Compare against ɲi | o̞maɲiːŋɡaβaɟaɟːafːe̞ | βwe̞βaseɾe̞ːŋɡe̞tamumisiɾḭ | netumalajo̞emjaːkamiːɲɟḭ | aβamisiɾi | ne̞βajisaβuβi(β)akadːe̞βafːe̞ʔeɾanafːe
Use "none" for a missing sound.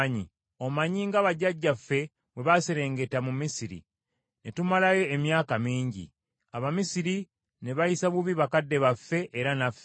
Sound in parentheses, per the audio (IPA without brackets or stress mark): β